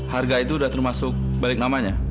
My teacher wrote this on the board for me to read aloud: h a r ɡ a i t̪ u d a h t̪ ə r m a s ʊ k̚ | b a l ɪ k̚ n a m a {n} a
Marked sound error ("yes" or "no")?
yes